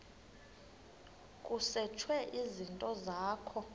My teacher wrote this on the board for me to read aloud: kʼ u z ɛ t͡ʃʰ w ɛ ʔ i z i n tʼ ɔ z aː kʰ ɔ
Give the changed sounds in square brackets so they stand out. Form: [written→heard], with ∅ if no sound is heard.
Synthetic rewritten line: kʼ u [z→s] ɛ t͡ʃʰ w ɛ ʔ i z i n tʼ ɔ z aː kʰ ɔ